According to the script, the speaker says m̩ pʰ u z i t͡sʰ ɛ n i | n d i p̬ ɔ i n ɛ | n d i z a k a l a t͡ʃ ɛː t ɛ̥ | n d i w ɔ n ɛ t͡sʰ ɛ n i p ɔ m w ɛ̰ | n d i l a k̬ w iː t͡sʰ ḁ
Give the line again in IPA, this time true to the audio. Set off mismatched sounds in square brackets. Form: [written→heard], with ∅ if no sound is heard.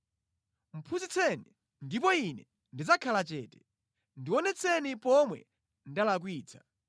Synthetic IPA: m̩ pʰ u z i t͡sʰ ɛ n i | n d i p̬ ɔ i n ɛ | n d i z a [k→kʰ] a l a t͡ʃ ɛː t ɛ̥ | n d i w ɔ n ɛ t͡sʰ ɛ n i p ɔ m w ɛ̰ | n d [i→a] l a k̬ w iː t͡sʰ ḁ